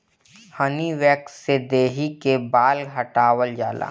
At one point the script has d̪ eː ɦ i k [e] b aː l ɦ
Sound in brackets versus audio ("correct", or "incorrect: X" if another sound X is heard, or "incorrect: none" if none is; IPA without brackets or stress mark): correct